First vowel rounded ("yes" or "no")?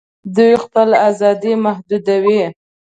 yes